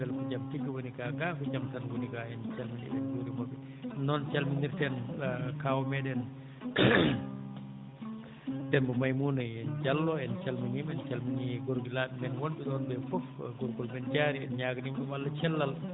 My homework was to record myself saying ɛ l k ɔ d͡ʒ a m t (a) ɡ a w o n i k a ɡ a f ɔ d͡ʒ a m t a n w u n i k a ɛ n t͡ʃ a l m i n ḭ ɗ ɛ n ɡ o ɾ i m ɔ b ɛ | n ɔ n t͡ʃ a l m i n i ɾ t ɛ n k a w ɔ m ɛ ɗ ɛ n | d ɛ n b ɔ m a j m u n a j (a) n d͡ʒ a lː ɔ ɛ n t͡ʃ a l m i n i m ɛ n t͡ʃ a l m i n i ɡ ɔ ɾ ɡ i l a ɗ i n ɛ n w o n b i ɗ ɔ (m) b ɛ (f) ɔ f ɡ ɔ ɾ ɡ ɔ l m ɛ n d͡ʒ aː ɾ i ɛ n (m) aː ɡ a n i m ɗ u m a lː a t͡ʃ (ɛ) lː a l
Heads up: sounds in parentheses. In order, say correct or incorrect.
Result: incorrect: i, incorrect: ɛ, incorrect: n, correct, incorrect: ɲ, correct

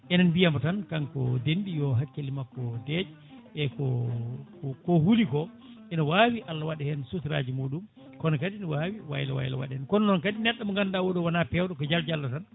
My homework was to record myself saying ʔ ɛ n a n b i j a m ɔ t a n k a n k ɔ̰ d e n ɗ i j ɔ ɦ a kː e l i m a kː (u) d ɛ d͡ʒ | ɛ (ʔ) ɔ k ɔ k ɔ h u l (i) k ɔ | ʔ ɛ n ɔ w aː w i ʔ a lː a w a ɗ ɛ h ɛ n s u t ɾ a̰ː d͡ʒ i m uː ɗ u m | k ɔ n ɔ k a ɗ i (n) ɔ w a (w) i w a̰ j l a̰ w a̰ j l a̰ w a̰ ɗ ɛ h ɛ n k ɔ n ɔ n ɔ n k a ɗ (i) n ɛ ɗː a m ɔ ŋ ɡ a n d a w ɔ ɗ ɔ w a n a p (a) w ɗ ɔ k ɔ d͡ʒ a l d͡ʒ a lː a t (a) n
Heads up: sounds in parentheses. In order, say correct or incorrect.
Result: incorrect: ɔ, incorrect: k, correct, correct, correct, correct, incorrect: ɛ, correct

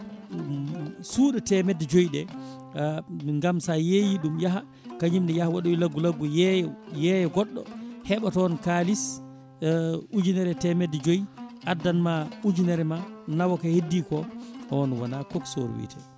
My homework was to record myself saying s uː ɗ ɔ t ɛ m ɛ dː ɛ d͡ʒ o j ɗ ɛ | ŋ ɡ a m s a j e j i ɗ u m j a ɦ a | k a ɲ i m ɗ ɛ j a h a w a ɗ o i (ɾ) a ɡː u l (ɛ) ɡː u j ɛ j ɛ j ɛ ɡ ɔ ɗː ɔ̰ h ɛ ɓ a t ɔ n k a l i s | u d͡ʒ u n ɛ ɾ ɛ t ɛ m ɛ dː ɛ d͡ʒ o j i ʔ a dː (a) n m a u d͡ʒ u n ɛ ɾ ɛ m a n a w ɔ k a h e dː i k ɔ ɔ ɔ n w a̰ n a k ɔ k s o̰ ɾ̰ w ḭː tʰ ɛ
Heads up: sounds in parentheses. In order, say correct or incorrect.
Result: incorrect: l, incorrect: a, correct

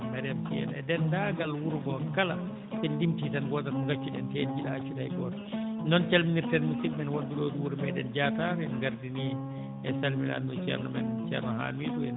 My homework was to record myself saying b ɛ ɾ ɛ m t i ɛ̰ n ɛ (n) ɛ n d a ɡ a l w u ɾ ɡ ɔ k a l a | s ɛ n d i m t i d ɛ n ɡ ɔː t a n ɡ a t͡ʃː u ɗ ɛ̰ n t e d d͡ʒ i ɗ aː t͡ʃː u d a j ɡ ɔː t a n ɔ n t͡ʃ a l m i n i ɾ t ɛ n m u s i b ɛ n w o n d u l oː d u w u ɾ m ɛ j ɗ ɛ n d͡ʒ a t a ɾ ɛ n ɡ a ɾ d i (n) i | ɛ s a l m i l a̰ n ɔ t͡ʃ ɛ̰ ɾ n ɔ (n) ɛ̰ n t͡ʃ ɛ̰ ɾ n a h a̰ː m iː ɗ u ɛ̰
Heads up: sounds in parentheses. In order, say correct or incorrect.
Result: incorrect: d, correct, incorrect: m

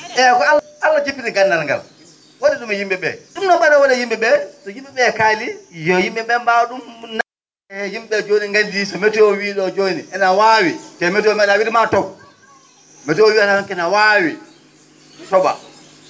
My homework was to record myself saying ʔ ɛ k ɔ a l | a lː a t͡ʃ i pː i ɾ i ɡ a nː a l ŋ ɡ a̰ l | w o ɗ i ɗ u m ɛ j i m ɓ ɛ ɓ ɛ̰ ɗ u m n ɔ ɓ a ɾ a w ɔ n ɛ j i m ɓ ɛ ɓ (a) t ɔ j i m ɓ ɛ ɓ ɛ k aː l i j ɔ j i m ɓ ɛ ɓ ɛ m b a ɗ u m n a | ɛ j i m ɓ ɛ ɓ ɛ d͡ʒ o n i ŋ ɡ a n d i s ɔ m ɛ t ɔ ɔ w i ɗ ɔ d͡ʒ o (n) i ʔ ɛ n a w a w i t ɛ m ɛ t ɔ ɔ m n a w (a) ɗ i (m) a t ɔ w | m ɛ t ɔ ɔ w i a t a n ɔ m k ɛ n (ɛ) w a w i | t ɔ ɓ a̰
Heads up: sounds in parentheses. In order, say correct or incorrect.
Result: incorrect: ɛ, correct, incorrect: i, correct, incorrect: a

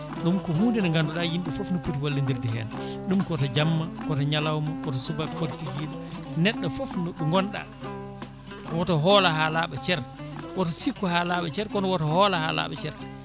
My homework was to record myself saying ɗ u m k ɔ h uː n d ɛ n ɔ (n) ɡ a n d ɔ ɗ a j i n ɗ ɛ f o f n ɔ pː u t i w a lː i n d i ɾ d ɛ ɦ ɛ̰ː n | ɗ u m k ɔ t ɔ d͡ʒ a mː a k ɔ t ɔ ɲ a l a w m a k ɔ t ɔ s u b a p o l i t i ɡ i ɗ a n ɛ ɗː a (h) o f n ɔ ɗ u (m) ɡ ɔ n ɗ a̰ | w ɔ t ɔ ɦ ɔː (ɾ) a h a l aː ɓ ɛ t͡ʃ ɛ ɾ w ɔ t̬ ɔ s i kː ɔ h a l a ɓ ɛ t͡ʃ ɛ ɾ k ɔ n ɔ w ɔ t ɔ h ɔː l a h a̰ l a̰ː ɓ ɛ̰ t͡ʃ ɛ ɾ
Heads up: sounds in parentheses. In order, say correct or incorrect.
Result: incorrect: ŋ, incorrect: f, incorrect: ŋ, incorrect: l

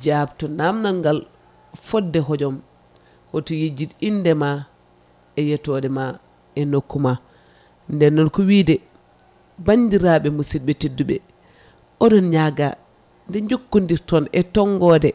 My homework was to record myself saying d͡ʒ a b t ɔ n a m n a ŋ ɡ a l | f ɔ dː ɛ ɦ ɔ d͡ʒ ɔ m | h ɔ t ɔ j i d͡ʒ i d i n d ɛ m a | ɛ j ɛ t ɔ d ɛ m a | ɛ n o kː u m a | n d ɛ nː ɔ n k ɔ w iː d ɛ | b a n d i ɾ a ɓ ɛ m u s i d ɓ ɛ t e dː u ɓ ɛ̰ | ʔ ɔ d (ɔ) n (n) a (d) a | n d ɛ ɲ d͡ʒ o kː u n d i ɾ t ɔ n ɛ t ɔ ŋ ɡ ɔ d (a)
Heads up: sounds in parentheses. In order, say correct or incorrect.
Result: correct, incorrect: ɲ, incorrect: ɡ, incorrect: ɛ

